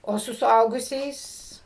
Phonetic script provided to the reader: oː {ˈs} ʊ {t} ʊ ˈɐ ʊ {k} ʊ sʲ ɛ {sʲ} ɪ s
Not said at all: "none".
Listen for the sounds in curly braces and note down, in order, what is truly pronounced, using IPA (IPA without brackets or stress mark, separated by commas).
s, s, ɡ, none